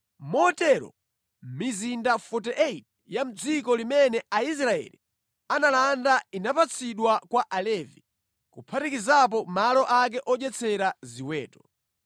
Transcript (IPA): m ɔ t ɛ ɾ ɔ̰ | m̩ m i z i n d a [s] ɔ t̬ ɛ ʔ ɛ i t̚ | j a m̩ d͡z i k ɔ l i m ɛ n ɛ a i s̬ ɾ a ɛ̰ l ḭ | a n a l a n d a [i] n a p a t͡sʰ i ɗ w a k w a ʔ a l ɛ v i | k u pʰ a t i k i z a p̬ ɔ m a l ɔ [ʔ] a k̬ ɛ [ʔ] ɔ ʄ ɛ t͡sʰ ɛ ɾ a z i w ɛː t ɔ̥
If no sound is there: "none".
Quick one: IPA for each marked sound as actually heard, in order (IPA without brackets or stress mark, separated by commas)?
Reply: f, i, ʔ, ʔ